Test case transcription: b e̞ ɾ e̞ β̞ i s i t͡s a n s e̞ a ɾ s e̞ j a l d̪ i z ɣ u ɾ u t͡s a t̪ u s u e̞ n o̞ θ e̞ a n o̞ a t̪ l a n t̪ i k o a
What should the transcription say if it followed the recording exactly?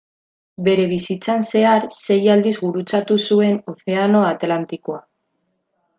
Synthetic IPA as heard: b e̞ ɾ e̞ β̞ i s i t͡s a n s e̞ a ɾ s e̞ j a l d̪ i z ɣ u ɾ u t͡s a t̪ u s u e̞ n o̞ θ e̞ a n o̞ a t̪ l a n t̪ i k o a